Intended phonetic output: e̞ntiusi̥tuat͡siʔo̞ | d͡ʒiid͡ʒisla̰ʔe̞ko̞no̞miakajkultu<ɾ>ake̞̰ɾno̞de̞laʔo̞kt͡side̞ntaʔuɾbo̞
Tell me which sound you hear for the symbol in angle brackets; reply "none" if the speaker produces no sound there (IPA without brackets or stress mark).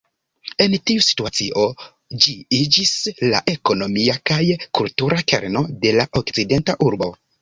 ɾ